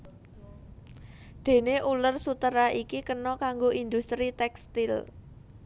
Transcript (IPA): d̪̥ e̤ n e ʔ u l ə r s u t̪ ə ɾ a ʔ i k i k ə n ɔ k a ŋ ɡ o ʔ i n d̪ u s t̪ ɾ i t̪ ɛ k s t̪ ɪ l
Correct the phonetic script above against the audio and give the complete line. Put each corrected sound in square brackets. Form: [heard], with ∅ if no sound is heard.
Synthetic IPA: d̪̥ e̤ n e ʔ u l ə r s u t̪ ə ɾ a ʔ i k i k ə n ɔ k a ŋ ɡ o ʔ i n d̪ u s t̪ ɾ i t̪ ɛ k s t̪ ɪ l